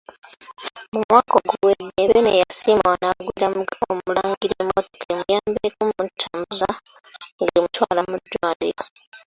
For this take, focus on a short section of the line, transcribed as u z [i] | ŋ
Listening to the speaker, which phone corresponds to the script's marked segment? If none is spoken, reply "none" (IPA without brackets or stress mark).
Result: a